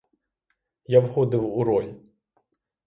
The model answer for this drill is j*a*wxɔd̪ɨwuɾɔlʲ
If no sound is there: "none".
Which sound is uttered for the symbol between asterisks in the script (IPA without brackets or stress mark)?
a